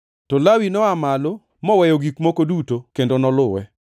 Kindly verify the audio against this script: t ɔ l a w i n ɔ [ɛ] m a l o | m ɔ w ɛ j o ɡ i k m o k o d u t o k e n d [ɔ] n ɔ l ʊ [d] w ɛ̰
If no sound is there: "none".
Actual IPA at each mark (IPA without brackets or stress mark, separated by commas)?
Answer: a, o, none